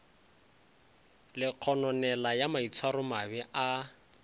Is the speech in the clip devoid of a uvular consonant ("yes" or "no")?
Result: no